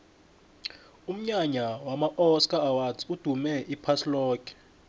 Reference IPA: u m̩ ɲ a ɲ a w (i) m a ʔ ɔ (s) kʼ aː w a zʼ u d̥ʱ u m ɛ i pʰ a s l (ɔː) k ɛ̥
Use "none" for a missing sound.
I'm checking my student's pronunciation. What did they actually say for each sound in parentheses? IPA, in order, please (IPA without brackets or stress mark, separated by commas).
a, s, ɔː